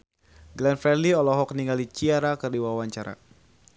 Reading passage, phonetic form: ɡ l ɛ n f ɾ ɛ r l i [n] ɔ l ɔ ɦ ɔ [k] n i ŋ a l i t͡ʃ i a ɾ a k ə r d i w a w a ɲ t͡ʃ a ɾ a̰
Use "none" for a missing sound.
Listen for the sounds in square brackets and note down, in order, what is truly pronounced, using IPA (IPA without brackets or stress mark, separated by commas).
none, k